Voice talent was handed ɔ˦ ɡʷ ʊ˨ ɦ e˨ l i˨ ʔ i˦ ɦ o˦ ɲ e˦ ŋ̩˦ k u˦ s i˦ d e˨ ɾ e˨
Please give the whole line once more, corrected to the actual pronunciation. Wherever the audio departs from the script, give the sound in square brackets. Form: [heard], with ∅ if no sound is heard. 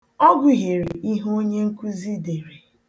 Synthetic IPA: ɔ˦ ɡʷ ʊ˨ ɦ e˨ [ɾ] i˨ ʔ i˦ ɦ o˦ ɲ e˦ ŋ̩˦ k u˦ [z] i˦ d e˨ ɾ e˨

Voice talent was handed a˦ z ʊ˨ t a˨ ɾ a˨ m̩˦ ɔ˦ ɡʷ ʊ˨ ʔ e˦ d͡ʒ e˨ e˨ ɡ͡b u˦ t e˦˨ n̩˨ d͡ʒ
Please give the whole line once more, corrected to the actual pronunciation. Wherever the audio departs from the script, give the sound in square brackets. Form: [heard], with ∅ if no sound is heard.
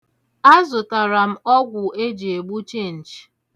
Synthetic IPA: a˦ z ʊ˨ t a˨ ɾ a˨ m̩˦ ɔ˦ ɡʷ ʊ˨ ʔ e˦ d͡ʒ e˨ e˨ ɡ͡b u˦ [t͡ʃ] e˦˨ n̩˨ d͡ʒ

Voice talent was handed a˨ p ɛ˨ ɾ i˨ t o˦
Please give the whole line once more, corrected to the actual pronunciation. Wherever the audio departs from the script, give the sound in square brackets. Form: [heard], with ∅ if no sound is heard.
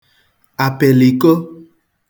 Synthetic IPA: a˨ p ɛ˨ [l] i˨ [k] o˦

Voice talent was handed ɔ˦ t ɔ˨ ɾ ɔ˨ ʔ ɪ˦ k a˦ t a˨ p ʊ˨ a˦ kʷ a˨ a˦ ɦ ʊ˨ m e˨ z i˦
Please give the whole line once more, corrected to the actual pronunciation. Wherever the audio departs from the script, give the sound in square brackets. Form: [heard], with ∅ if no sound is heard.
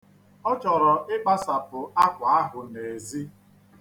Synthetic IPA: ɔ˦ [t͡ʃ] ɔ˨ ɾ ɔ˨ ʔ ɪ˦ [k͡p] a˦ [s] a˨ p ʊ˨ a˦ kʷ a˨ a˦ ɦ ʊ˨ [n] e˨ z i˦

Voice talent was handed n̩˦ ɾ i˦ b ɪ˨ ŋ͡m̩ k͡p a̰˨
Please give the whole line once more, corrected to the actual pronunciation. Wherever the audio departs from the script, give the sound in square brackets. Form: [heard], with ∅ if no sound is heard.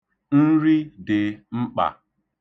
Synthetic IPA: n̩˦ ɾ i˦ [d] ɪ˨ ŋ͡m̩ k͡p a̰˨

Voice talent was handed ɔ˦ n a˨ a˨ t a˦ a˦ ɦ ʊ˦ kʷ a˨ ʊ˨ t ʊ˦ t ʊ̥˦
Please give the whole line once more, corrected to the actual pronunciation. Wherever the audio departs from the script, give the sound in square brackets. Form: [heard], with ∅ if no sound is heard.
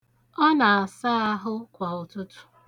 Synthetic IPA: ɔ˦ n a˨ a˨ [s] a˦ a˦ ɦ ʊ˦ kʷ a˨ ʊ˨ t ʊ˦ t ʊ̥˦

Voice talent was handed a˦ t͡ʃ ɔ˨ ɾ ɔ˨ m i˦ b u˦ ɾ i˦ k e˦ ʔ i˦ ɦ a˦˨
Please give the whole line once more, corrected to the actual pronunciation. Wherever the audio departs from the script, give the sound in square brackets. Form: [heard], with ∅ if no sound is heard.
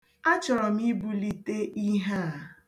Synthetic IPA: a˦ t͡ʃ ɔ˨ ɾ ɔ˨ m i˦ b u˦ [l] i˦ [t] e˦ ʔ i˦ ɦ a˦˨

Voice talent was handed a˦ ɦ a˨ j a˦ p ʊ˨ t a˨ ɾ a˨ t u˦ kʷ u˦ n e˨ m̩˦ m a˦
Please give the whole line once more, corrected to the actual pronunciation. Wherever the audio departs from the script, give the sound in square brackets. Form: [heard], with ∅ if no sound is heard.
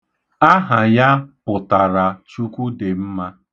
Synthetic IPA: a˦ ɦ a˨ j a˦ p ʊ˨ t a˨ ɾ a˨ [t͡ʃ] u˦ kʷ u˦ [d] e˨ m̩˦ m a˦

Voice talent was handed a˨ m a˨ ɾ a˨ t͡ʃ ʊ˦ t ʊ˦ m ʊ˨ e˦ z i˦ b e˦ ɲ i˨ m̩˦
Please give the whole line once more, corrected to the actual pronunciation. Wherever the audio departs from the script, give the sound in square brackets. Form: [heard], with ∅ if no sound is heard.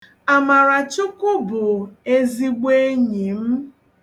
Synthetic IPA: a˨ m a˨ ɾ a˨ t͡ʃ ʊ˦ [k] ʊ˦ [b] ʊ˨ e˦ z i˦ [ɡ͡b] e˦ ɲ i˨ m̩˦

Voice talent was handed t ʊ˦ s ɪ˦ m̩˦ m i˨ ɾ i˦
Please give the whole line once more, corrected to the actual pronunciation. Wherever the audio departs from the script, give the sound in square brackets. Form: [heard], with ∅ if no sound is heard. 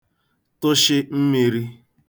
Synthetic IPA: t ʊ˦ [ʃ] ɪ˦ m̩˦ m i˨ ɾ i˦

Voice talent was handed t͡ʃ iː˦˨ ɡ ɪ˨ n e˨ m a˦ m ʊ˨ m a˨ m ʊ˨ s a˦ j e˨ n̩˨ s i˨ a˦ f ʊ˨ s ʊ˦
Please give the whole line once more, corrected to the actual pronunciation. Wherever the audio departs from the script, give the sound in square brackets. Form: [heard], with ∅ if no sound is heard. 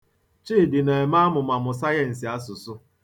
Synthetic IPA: t͡ʃ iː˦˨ [d] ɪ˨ n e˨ m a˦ m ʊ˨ m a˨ m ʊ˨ s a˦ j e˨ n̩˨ s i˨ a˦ [s] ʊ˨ s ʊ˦

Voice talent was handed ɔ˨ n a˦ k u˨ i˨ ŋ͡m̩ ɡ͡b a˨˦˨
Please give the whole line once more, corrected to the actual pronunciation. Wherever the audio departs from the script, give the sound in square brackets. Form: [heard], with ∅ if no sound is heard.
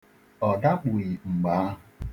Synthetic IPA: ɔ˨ [d] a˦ [k͡p] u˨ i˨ ŋ͡m̩ ɡ͡b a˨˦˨

